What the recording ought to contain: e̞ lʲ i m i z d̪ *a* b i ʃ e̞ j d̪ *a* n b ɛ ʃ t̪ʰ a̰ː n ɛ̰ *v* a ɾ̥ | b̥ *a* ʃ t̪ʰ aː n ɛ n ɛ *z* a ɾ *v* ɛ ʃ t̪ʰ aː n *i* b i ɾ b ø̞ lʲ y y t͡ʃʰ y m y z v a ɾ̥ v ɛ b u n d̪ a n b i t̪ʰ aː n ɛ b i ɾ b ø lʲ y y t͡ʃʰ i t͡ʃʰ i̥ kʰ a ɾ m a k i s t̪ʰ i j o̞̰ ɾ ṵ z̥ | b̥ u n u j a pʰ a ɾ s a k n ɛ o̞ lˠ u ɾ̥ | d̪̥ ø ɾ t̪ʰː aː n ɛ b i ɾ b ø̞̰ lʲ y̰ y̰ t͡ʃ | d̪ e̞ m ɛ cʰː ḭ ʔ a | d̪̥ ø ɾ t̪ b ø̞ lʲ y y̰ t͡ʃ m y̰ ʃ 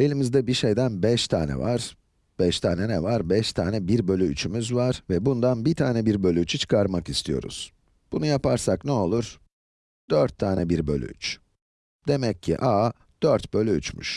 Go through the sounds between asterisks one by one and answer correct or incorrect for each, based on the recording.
incorrect, incorrect, correct, incorrect, incorrect, incorrect, incorrect

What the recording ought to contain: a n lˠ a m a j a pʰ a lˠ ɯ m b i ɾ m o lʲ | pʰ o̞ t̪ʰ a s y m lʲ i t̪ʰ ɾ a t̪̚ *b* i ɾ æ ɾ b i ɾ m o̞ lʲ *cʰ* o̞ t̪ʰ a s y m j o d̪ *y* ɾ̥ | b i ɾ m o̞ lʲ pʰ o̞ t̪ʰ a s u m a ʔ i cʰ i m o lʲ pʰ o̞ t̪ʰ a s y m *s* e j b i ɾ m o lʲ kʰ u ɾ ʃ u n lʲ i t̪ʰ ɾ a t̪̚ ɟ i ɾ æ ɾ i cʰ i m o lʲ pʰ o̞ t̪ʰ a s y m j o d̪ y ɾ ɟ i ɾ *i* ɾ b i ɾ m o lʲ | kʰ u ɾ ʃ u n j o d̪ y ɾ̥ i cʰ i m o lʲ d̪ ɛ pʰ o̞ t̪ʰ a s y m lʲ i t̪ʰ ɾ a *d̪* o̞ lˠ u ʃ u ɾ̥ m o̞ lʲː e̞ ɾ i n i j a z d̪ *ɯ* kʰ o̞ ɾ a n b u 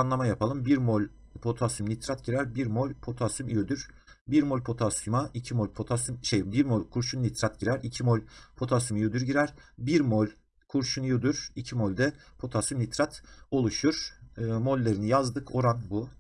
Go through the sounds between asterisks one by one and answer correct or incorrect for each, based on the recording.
incorrect, incorrect, correct, incorrect, incorrect, incorrect, correct

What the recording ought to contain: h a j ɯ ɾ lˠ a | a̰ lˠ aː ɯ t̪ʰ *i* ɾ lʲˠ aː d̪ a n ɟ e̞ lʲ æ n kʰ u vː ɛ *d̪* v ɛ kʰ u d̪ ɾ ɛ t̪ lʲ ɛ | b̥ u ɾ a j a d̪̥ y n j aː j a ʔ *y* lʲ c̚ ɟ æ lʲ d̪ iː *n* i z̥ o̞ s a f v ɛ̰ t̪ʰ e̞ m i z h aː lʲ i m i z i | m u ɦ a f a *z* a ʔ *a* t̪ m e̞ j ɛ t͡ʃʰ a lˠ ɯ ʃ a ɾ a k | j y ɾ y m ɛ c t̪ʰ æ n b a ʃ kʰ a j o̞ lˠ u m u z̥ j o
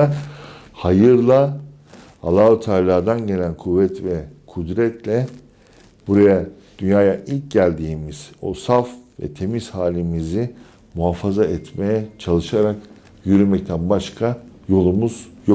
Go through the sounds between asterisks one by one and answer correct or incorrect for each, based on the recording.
incorrect, incorrect, incorrect, incorrect, correct, incorrect

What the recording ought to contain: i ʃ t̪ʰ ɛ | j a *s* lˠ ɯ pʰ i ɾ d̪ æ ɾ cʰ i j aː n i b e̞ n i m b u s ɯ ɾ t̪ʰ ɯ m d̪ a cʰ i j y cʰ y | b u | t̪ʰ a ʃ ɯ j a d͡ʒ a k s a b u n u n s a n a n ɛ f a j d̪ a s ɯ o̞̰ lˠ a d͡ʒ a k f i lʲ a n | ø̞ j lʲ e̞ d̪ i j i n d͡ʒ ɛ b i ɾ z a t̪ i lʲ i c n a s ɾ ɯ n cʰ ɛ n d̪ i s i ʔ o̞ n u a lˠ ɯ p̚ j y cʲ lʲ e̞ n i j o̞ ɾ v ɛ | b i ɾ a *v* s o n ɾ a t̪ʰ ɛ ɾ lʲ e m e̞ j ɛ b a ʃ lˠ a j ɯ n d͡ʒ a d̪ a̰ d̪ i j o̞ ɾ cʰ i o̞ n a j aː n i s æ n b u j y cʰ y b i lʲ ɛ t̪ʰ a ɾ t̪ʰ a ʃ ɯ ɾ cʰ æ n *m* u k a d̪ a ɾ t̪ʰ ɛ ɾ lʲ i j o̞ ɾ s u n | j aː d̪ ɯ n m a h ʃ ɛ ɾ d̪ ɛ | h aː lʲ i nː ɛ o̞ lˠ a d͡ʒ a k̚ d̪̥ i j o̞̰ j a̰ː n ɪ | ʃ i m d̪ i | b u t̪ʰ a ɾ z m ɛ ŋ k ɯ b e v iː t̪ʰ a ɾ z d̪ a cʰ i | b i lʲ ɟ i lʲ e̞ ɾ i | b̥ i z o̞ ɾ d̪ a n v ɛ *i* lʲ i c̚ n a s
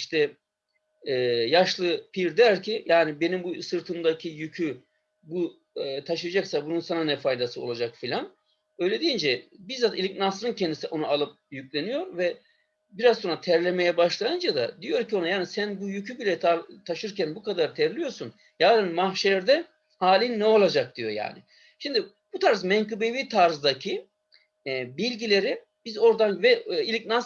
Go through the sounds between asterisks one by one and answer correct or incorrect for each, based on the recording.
incorrect, incorrect, incorrect, correct

